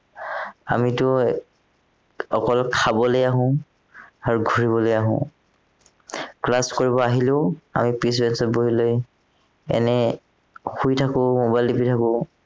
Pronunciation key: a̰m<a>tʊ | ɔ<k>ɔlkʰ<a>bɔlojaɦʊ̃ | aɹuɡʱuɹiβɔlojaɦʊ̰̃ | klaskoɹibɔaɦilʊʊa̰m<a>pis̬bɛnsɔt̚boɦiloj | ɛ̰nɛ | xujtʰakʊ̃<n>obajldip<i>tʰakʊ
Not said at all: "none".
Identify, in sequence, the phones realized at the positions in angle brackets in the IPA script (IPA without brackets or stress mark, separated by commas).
i, k, a, i, m, i